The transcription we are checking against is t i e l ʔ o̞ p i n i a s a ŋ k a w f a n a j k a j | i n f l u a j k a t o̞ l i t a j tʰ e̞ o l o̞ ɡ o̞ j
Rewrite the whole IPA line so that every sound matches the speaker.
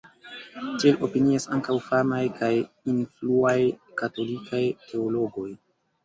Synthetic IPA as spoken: t i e l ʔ o̞ p i n i a s a ŋ k a w f a m a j k a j | i n f l u a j k a t o̞ l i k a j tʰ e̞ o l o̞ ɡ o̞ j